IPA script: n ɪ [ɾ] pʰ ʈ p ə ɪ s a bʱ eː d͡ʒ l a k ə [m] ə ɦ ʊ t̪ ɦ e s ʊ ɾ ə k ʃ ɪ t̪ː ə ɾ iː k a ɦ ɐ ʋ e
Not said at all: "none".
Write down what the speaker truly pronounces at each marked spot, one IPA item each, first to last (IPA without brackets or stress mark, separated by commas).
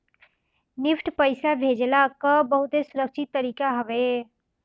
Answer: none, b